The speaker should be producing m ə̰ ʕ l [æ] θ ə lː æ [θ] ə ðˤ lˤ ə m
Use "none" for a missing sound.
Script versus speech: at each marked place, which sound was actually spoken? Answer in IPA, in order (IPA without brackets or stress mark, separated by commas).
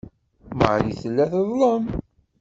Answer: i, θ